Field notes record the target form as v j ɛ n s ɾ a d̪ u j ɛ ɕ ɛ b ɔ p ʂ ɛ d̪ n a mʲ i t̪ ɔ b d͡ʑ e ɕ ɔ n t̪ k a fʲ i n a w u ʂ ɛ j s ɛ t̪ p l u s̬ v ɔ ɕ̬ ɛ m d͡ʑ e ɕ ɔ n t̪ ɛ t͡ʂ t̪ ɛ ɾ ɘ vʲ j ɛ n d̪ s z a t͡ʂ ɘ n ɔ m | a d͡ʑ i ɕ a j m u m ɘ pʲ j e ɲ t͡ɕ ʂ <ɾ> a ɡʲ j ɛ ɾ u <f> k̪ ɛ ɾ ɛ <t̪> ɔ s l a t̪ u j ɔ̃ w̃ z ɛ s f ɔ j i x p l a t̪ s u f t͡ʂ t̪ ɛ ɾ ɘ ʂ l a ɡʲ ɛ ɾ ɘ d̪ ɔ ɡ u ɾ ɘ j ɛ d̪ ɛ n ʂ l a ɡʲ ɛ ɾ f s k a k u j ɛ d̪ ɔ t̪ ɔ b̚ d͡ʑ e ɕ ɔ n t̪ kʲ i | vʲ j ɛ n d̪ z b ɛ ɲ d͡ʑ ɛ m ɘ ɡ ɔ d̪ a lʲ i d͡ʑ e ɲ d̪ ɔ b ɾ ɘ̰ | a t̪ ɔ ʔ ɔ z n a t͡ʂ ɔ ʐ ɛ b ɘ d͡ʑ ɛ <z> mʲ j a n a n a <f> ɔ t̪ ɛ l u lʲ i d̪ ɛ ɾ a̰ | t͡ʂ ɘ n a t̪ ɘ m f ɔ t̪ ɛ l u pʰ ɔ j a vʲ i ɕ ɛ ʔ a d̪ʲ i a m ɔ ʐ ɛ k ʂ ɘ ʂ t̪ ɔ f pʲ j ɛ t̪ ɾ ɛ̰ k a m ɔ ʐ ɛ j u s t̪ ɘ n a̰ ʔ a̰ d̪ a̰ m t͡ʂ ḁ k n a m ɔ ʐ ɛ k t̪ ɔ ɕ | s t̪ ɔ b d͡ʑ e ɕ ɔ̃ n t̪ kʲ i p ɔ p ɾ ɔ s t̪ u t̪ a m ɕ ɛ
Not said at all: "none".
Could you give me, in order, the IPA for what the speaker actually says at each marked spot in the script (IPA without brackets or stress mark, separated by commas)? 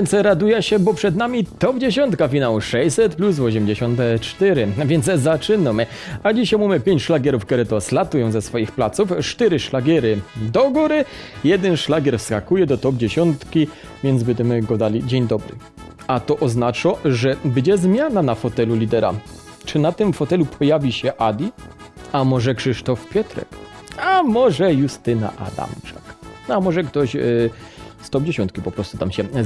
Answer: l, f, t̪, z, f